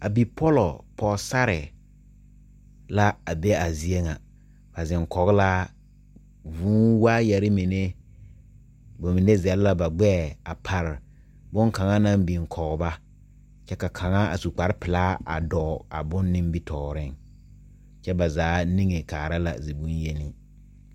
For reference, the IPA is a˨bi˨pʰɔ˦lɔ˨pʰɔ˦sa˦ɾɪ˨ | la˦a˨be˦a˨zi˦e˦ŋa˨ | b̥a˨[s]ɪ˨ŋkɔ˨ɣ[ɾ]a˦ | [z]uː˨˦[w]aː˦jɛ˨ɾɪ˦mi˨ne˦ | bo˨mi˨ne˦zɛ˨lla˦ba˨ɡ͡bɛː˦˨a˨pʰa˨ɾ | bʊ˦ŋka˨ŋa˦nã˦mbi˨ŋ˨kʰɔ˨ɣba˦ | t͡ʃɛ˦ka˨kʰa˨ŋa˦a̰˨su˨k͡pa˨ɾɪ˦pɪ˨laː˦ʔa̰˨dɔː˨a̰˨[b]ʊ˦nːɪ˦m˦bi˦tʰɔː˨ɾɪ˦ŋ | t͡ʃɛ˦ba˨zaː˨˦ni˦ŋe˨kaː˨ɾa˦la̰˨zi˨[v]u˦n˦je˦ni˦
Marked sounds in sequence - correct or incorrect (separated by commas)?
incorrect, incorrect, incorrect, correct, correct, incorrect